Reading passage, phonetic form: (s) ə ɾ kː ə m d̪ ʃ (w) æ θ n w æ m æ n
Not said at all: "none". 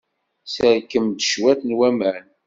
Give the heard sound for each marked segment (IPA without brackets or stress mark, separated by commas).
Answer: s, w